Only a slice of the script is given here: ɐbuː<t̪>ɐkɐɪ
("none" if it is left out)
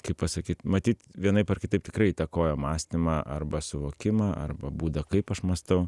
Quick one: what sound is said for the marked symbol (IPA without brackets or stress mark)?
d̪